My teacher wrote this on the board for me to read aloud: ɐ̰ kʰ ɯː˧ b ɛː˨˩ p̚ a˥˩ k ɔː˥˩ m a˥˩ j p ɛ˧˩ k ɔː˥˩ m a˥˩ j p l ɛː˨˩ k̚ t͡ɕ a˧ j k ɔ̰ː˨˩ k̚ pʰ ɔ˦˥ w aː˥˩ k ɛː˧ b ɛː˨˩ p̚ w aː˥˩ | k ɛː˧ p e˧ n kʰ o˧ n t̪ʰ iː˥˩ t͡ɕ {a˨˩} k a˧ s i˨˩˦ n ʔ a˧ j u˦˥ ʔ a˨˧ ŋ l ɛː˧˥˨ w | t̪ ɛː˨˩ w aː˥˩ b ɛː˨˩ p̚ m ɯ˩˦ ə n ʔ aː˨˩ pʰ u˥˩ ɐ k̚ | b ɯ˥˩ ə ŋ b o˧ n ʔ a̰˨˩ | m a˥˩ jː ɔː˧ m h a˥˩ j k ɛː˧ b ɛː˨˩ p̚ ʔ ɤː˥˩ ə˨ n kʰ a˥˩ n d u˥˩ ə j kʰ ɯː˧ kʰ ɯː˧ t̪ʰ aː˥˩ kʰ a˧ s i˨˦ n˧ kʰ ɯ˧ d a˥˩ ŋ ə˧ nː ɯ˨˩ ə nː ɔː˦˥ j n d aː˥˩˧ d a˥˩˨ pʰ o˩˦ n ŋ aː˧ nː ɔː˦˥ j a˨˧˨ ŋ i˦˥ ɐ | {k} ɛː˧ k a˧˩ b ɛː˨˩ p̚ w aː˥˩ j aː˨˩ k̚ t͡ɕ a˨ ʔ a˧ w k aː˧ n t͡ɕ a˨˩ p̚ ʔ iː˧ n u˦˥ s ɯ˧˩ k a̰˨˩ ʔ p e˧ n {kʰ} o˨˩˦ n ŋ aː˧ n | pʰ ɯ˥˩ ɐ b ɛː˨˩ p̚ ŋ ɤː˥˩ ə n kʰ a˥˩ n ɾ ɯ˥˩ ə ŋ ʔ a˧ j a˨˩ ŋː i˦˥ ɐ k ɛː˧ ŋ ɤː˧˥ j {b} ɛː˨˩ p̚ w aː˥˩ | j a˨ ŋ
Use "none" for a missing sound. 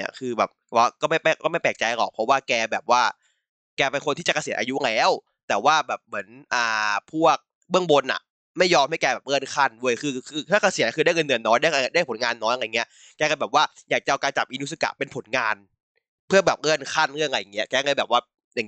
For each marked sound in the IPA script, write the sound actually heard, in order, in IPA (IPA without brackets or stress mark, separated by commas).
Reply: a˨˩, k, pʰ, b